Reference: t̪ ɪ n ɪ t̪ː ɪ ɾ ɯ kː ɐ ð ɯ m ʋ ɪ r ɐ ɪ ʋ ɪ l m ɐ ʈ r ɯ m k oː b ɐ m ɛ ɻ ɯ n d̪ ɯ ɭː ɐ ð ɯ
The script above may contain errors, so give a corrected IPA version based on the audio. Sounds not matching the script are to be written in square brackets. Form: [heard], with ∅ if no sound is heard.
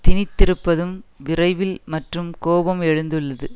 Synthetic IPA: t̪ ɪ n ɪ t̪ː ɪ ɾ ɯ [pː] ɐ ð ɯ m ʋ ɪ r ɐ ɪ ʋ ɪ l m ɐ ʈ r ɯ m k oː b ɐ m ɛ ɻ ɯ n d̪ ɯ ɭː ɐ ð ɯ